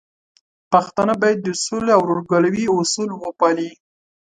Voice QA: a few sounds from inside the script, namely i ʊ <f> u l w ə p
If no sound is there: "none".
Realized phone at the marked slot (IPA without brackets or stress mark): s